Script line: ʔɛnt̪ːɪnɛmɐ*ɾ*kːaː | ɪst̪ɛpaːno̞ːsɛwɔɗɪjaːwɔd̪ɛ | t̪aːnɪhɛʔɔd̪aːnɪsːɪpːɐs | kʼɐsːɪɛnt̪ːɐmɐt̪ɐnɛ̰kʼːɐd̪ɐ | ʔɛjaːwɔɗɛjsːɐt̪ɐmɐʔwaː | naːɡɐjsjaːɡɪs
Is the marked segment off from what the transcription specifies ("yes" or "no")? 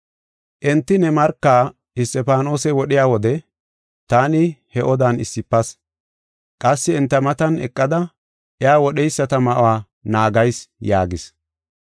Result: no